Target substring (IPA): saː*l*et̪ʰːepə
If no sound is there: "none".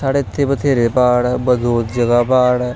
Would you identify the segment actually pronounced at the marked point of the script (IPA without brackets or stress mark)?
ɽ